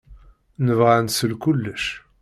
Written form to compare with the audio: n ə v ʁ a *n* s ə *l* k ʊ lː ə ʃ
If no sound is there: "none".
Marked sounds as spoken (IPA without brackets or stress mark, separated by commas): n, l